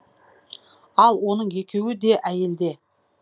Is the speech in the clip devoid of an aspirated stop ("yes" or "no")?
yes